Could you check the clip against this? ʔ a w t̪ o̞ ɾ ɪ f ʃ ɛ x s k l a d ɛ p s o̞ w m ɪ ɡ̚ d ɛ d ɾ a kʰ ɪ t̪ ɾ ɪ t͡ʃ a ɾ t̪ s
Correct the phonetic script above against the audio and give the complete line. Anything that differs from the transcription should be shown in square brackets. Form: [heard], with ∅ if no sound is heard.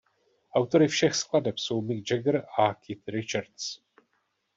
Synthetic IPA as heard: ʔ a w t̪ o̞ ɾ ɪ f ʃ ɛ x s k l a d ɛ p s o̞ w m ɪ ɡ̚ [d͡ʒ] ɛ [ɡ] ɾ a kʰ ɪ t̪ ɾ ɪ t͡ʃ a ɾ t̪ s